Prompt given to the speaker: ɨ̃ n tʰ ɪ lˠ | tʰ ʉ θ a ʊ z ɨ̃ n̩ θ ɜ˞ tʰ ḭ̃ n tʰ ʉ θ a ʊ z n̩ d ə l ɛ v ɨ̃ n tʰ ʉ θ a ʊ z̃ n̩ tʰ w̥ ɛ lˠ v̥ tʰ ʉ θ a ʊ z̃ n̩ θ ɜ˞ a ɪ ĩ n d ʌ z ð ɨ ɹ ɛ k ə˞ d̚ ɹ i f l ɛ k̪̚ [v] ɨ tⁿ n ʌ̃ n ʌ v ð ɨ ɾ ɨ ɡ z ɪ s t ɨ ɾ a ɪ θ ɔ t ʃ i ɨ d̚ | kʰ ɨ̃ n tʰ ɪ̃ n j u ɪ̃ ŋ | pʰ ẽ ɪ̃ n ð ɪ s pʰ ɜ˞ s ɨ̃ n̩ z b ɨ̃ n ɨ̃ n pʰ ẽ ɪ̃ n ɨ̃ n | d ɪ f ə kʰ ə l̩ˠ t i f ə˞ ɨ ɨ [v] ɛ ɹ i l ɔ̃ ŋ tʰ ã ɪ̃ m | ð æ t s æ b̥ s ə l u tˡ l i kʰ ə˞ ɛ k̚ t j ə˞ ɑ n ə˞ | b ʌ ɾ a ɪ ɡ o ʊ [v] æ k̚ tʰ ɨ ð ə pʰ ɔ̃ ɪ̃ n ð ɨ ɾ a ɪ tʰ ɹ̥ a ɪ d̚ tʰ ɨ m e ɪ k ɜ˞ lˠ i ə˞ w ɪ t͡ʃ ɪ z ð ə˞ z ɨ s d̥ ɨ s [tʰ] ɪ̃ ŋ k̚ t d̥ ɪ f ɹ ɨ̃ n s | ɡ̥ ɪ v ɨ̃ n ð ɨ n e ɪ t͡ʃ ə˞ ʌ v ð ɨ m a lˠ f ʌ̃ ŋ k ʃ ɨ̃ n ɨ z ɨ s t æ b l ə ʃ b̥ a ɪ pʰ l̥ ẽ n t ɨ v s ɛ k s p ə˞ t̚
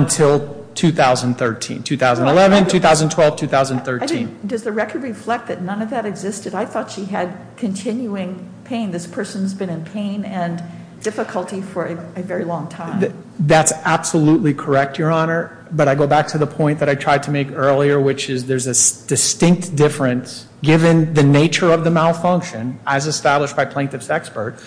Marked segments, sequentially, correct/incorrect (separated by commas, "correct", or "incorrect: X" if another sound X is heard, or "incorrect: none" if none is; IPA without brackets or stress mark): incorrect: ð, correct, incorrect: b, incorrect: t